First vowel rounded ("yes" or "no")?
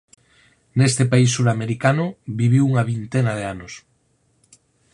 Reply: no